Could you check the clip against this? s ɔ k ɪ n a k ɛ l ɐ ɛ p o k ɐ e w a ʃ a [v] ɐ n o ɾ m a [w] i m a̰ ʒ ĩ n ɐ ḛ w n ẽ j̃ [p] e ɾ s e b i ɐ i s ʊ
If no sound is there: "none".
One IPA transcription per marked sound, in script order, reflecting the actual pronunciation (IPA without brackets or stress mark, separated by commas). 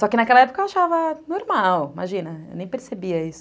v, w, p